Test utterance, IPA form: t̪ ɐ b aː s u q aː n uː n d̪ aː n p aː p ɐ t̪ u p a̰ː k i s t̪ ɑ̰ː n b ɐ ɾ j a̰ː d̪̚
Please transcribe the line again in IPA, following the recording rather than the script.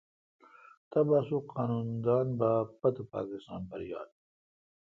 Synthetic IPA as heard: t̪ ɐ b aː s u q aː n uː n d̪ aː n b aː p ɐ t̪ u p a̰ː k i s t̪ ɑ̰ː n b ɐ ɾ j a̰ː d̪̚